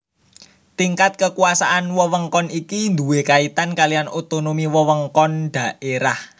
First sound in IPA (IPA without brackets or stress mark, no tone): t̪